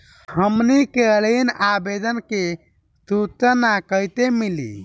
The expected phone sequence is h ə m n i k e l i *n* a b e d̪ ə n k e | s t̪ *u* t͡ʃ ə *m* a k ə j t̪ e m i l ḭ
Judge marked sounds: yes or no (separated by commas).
yes, yes, no